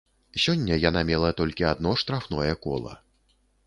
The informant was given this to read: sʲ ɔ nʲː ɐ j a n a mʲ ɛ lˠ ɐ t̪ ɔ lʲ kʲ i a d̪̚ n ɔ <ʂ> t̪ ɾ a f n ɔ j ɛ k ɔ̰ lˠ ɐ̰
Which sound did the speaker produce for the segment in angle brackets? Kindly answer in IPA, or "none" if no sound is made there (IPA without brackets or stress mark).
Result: ʂ